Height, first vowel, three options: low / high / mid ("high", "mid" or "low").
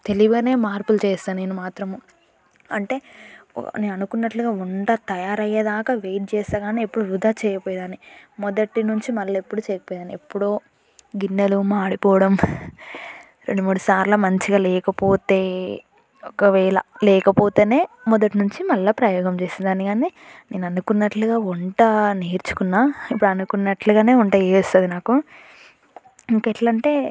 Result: mid